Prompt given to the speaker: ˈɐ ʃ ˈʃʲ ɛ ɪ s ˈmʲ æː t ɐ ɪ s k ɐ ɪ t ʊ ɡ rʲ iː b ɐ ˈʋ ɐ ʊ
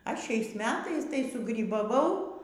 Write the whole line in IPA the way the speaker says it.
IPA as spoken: ˈɐ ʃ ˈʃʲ ɛ ɪ s ˈmʲ æː t ɐ ɪ s t ɐ ɪ s ʊ ɡ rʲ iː b ɐ ˈʋ ɐ ʊ